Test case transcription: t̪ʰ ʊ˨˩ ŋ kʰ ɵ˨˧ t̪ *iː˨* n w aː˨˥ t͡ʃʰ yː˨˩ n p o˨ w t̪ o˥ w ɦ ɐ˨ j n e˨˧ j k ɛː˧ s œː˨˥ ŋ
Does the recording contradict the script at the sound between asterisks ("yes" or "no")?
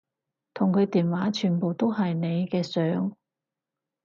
no